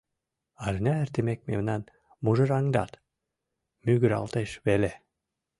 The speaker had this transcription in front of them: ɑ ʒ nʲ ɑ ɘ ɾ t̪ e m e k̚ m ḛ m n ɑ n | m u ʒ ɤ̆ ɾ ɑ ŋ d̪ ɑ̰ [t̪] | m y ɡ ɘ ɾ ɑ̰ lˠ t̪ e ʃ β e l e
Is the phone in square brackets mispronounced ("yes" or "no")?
no